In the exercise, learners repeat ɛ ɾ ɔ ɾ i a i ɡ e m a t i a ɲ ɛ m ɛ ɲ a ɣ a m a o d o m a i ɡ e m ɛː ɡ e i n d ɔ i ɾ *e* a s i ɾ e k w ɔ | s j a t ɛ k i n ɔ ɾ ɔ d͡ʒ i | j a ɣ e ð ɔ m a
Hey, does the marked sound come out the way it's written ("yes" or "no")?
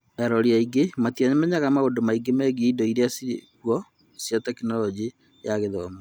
yes